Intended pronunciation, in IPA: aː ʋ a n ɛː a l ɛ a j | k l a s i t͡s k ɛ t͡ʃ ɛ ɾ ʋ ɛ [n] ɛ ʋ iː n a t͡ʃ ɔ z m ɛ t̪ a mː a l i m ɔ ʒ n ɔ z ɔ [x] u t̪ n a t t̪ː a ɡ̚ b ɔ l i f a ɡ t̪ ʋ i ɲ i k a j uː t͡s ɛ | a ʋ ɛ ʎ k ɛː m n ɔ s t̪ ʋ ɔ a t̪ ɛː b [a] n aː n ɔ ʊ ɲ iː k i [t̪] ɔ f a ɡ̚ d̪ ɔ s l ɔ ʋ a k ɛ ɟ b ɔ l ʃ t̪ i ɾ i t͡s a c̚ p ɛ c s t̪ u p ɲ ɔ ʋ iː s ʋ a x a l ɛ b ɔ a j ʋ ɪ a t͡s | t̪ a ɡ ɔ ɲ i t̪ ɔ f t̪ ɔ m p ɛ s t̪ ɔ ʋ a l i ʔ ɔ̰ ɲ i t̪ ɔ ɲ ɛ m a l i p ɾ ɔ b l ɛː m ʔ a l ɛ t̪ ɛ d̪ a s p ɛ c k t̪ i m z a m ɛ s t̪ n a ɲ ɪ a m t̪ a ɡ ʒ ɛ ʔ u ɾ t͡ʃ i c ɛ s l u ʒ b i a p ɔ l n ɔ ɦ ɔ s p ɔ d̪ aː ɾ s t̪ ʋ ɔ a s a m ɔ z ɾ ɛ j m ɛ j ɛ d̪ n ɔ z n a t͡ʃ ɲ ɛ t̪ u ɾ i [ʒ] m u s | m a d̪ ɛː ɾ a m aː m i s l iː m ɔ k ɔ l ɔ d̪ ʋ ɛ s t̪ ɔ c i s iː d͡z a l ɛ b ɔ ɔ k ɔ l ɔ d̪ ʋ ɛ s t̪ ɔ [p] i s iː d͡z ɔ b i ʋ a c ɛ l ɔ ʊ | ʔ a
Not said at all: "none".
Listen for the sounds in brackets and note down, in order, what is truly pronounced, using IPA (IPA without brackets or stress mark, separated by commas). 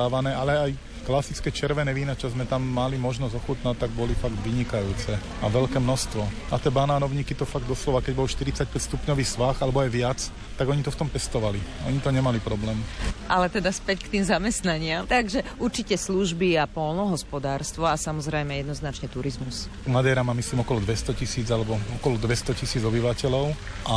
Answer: n, x, a, t̪, z, c